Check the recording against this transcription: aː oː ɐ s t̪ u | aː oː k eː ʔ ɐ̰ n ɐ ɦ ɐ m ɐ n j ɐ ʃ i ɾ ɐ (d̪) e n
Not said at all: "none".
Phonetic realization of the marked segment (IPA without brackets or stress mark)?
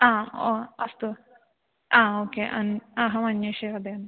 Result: d̪